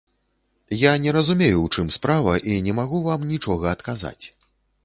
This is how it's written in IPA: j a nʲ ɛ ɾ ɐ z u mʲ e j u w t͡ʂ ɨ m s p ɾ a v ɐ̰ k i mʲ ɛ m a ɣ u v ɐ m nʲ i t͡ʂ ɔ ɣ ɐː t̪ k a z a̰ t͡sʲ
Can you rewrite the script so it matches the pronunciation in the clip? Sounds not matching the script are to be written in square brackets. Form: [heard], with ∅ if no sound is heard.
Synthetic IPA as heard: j a nʲ ɛ ɾ ɐ z u mʲ e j u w t͡ʂ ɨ m s p ɾ a v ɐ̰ [ʔ] i [nʲ] ɛ m a ɣ u v [a] m nʲ i t͡ʂ ɔ ɣ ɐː t̪ k a z a̰ t͡sʲ

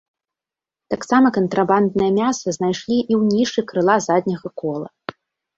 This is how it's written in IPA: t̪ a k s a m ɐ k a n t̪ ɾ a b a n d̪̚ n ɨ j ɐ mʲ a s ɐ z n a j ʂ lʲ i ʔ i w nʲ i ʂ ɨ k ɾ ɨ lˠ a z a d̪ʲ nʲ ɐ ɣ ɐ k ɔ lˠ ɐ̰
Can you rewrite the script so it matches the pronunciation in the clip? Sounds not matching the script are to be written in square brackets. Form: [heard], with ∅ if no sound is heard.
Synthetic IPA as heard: t̪ a k s a m ɐ k [ɐ] n t̪ ɾ a b a n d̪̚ n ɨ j ɐ mʲ a s ɐ z n a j ʂ lʲ i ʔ i w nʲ i ʂ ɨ k ɾ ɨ lˠ a z a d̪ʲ nʲ ɐ ɣ ɐ k ɔ lˠ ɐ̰

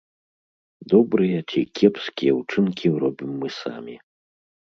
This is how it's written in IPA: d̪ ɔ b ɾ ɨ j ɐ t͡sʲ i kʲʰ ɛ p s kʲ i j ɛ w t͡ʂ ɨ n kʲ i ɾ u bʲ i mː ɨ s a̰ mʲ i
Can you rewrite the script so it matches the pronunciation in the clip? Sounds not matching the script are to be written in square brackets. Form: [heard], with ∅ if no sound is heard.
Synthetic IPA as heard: d̪ ɔ b ɾ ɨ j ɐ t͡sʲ i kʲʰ ɛ p s kʲ i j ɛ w t͡ʂ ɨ n kʲ i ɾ [ɔ] bʲ i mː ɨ s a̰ mʲ i

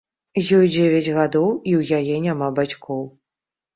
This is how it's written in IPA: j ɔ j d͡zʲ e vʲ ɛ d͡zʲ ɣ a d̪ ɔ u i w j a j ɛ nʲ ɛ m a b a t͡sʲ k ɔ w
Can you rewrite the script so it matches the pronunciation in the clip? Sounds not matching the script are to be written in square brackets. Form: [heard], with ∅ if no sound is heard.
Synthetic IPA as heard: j ɔ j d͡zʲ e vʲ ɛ d͡zʲ ɣ a d̪ ɔ [w] i w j a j ɛ nʲ [a] m a b a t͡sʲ k ɔ w

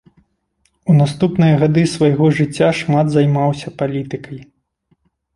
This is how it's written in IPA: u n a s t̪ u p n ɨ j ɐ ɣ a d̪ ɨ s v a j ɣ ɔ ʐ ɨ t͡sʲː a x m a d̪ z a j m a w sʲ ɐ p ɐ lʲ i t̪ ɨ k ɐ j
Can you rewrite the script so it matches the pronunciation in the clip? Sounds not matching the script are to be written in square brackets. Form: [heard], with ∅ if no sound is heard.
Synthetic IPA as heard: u n a s t̪ u p n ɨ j ɐ ɣ a d̪ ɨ s v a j ɣ ɔ ʐ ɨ t͡sʲː a [ʂ] m a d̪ z a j m a w sʲ ɐ p [a] lʲ i t̪ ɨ k ɐ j

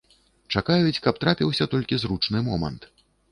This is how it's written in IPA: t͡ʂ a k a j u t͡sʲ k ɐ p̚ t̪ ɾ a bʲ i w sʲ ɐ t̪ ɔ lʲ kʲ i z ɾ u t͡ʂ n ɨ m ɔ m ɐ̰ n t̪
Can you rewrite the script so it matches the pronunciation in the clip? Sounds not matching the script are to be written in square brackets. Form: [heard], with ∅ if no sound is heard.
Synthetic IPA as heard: t͡ʂ a k a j u t͡sʲ k ɐ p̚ t̪ ɾ a [pʲ] i w sʲ ɐ t̪ ɔ lʲ kʲ i z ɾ u t͡ʂ n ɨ m ɔ m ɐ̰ n t̪

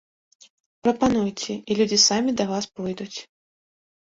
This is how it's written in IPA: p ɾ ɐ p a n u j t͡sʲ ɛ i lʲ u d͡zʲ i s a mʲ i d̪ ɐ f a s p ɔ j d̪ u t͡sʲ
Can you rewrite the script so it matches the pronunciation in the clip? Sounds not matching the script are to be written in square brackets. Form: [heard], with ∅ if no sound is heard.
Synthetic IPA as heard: p ɾ ɐ p a n u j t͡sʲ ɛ i lʲ u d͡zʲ i s a mʲ i d̪ ɐ [v] a s p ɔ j d̪ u t͡sʲ

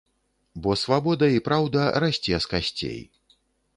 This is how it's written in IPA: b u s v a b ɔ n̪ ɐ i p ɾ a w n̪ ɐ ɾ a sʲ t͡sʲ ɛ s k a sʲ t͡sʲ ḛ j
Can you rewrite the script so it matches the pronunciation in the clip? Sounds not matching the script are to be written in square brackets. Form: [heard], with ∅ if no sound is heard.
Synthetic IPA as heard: b [ɔ] s v a b ɔ [d̪] ɐ i p ɾ a w [d̪] ɐ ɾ a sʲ t͡sʲ ɛ s k a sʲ t͡sʲ ḛ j

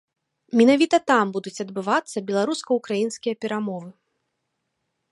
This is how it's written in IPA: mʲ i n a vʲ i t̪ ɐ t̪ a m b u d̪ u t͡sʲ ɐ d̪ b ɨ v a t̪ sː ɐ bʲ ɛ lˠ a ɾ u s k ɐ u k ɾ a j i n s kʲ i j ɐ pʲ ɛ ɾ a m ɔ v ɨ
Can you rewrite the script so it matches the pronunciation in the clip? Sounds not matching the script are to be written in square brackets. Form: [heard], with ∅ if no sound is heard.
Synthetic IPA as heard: mʲ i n a vʲ i t̪ ɐ t̪ a m b u d̪ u t͡sʲ ɐ d̪ b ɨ v a t̪ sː ɐ bʲ ɛ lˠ a ɾ u s k ɐ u k ɾ a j i n s kʲ i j ɐ pʲ ɛ ɾ a m ɔ v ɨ

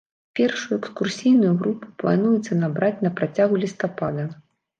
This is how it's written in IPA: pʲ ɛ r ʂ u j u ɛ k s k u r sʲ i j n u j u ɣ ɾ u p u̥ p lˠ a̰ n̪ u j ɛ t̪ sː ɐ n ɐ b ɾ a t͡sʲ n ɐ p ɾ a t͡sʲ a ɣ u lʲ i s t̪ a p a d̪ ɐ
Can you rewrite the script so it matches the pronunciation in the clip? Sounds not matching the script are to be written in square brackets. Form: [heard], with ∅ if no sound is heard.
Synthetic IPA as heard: pʲ ɛ r ʂ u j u ɛ k s k u r sʲ i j n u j u ɣ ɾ u p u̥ p lˠ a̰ n̪ u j ɛ t̪ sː ɐ n [a] b ɾ a t͡sʲ n ɐ p ɾ a t͡sʲ a ɣ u lʲ i s t̪ a p a d̪ ɐ

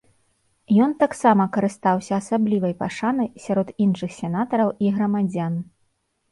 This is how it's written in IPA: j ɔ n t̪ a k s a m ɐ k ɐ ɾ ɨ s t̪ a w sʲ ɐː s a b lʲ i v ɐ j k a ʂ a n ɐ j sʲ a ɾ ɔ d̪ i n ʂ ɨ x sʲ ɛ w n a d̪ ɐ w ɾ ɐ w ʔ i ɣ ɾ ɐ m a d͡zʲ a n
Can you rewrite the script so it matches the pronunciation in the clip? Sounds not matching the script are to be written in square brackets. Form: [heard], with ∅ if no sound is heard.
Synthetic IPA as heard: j ɔ n t̪ a k s a m ɐ k ɐ ɾ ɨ s t̪ a w sʲ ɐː s a b lʲ i v ɐ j [p] a ʂ a n ɐ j sʲ a ɾ ɔ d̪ i n ʂ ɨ x sʲ ɛ [∅] n a [t̪] ɐ [∅] ɾ ɐ w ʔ i ɣ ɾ ɐ m a d͡zʲ a n

